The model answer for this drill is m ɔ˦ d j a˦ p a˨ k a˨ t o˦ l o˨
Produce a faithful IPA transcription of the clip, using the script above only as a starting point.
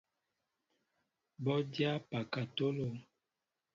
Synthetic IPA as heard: b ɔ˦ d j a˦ p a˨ k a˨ t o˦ l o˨